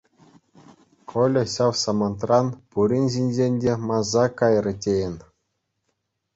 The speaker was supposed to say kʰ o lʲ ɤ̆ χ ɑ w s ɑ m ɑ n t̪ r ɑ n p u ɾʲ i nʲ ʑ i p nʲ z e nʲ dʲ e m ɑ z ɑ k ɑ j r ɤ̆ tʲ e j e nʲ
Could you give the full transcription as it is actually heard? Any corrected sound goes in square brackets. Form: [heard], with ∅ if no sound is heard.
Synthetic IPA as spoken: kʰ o lʲ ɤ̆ [ɕ] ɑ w s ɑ m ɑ n t̪ r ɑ n p u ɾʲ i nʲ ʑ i [∅] nʲ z e nʲ dʲ e m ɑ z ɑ k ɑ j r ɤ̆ tʲ e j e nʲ

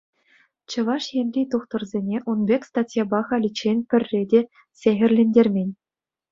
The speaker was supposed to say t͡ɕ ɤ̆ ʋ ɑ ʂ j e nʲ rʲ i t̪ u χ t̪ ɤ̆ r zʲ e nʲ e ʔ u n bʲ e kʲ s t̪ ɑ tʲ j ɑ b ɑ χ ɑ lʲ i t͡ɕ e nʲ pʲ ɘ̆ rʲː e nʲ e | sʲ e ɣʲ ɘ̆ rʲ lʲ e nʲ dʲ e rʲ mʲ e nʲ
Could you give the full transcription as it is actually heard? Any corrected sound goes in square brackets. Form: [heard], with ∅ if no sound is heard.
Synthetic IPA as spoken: t͡ɕ ɤ̆ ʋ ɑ ʂ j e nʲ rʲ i t̪ u χ t̪ ɤ̆ r zʲ e nʲ e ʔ u n bʲ e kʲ s t̪ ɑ tʲ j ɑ b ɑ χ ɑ lʲ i t͡ɕ e nʲ pʲ ɘ̆ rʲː e [dʲ] e | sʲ e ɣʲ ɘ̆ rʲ lʲ e nʲ dʲ e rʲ mʲ e nʲ

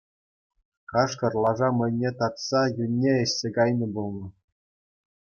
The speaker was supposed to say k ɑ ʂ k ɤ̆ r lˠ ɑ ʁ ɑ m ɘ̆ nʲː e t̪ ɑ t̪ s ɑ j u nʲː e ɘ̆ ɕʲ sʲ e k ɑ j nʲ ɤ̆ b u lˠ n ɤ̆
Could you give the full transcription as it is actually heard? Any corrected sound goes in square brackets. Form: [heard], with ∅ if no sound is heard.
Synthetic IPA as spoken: k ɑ ʂ k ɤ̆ r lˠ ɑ [ʐ] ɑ m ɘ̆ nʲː e t̪ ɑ t̪ s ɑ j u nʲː e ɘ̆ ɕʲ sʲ e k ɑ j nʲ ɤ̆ b u lˠ n ɤ̆

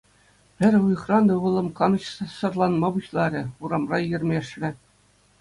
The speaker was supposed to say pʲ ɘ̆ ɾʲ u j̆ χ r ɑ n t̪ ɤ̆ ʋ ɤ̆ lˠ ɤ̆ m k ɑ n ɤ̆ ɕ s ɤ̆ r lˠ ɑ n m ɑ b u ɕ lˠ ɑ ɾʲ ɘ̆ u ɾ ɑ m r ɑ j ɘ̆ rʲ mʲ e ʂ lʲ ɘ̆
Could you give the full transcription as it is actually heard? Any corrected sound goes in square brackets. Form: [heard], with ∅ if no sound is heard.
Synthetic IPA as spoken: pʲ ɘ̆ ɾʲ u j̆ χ r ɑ n [d̪] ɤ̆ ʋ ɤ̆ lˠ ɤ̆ m k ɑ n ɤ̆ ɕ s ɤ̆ r lˠ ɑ n m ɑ b u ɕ lˠ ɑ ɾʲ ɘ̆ u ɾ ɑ m r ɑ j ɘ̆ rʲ mʲ e ʂ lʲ ɘ̆

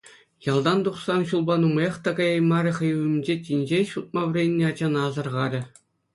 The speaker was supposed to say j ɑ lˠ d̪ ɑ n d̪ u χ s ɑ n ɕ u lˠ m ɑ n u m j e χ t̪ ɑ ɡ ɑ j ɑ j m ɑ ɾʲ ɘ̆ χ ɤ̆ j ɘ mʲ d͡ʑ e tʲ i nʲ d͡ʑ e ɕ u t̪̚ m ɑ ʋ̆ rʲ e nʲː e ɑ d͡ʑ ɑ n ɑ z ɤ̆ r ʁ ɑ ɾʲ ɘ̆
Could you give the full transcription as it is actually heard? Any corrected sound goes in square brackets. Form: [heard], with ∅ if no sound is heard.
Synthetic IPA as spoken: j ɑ lˠ d̪ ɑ n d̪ u χ s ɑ n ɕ u lˠ [b] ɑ n u m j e χ t̪ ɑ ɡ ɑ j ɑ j m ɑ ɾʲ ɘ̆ χ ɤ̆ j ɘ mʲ d͡ʑ e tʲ i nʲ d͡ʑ e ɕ u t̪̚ m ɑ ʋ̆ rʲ e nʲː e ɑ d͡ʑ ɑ n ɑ z ɤ̆ r ʁ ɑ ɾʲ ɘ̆

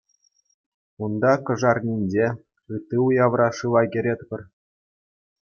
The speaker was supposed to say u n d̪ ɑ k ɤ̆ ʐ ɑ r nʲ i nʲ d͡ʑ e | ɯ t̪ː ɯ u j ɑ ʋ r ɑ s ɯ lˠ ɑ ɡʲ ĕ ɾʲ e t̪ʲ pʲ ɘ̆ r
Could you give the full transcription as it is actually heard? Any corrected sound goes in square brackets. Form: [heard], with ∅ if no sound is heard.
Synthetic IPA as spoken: u n d̪ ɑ k ɤ̆ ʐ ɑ r nʲ i nʲ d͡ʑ e | ɯ t̪ː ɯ u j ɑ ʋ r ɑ [ʂ] ɯ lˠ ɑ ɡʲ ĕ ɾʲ e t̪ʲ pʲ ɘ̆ r

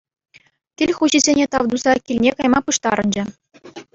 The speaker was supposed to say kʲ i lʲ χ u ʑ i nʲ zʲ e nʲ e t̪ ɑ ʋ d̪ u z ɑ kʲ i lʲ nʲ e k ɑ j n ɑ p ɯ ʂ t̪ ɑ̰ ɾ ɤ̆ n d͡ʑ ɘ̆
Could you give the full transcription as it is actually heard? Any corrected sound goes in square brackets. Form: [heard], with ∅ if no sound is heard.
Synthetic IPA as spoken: kʲ i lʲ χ u ʑ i [∅] zʲ e nʲ e t̪ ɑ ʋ d̪ u z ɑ kʲ i lʲ nʲ e k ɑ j [m] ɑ p ɯ ʂ t̪ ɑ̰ ɾ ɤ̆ n d͡ʑ ɘ̆

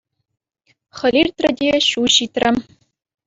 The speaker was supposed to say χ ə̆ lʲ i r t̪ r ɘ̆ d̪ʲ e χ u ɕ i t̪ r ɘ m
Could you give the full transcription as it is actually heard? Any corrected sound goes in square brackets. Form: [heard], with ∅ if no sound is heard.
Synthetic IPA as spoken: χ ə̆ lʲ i r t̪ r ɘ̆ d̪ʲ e [ɕ] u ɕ i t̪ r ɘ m

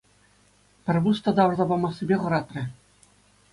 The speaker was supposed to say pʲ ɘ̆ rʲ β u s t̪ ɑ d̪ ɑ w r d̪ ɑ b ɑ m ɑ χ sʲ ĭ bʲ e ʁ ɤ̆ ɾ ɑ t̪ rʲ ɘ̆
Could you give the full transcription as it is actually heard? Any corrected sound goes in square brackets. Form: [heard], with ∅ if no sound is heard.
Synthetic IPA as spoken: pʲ ɘ̆ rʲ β u s t̪ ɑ d̪ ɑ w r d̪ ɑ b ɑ m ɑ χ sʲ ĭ bʲ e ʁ ɤ̆ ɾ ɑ t̪ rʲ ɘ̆

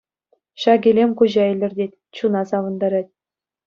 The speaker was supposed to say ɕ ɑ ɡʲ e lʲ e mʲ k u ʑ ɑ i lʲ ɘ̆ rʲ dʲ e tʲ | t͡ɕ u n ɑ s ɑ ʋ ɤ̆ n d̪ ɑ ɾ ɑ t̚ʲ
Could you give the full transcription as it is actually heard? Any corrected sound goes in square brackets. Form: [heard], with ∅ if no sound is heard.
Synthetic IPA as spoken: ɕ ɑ ɡʲ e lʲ e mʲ k u ʑ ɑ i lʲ ɘ̆ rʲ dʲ e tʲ | t͡ɕ u n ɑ s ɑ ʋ ɤ̆ n d̪ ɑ ɾ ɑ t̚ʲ

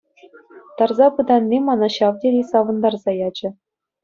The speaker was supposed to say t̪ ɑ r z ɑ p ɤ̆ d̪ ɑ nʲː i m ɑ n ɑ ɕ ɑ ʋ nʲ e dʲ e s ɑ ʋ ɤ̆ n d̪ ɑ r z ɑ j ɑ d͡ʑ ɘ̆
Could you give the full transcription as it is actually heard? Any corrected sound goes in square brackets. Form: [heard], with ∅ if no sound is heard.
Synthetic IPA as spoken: t̪ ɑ r z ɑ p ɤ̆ d̪ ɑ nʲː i m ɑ n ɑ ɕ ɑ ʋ [dʲ] e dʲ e s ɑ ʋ ɤ̆ n d̪ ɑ r z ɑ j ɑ d͡ʑ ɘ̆

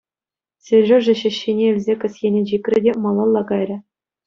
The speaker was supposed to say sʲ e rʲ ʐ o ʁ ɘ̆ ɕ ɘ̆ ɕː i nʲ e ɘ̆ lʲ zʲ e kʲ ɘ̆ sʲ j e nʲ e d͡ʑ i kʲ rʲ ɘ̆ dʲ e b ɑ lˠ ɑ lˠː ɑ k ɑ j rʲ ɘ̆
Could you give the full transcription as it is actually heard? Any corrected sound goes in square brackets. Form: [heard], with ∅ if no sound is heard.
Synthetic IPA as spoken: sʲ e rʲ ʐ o [ʐ] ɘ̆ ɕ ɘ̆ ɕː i nʲ e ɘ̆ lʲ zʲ e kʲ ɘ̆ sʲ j e nʲ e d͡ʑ i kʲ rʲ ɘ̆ dʲ e [m] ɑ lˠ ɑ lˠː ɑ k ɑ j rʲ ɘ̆

